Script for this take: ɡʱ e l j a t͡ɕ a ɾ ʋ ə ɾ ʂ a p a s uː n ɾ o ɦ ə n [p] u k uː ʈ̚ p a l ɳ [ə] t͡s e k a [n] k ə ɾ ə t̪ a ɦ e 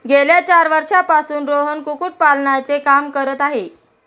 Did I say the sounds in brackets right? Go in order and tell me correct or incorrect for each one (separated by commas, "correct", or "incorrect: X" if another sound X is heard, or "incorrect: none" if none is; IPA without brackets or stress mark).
incorrect: k, incorrect: a, incorrect: m